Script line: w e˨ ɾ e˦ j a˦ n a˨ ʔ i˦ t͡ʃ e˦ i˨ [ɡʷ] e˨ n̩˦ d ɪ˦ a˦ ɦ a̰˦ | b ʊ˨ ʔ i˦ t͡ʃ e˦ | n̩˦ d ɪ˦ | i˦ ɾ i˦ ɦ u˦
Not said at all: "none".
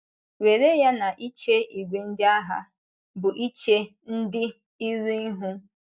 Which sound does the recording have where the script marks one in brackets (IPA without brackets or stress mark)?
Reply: ɡʷ